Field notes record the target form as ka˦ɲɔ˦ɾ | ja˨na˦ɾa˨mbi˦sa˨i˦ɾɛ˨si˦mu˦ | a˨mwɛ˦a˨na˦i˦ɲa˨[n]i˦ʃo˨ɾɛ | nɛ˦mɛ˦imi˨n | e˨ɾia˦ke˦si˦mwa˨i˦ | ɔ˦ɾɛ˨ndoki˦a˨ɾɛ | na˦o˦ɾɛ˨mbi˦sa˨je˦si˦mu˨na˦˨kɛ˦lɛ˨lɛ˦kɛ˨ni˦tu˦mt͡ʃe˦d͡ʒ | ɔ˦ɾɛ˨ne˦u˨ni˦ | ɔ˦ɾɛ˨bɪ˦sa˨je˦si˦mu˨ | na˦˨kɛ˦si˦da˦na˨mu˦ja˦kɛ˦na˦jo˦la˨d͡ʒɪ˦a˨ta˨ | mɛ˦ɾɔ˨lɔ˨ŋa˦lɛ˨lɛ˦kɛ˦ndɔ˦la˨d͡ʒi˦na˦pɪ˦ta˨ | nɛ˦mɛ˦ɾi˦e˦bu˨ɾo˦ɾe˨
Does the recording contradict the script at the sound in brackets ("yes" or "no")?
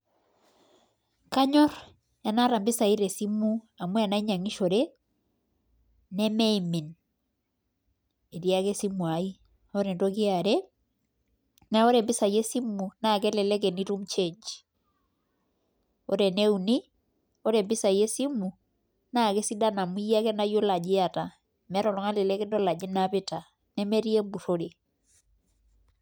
yes